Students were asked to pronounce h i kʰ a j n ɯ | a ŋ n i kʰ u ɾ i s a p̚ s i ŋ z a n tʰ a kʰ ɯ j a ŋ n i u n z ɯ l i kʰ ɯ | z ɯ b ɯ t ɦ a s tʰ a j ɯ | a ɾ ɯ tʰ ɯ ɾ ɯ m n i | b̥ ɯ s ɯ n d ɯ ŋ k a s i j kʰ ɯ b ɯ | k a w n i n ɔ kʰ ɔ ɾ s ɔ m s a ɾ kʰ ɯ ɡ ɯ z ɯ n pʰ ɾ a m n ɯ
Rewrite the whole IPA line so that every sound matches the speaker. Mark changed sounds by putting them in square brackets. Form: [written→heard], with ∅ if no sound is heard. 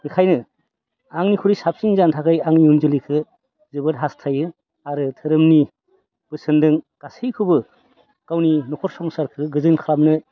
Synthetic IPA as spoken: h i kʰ a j n ɯ | a ŋ n i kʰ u ɾ i s a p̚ s i ŋ z a n tʰ a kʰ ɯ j a ŋ n i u n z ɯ l i kʰ ɯ | z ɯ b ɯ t ɦ a s tʰ a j ɯ | a ɾ ɯ tʰ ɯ ɾ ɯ m n i | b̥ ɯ s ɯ n d ɯ ŋ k a s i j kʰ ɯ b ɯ | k a w n i n ɔ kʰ ɔ ɾ s ɔ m s a ɾ kʰ ɯ ɡ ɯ z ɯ n [pʰ→kʰ] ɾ a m n ɯ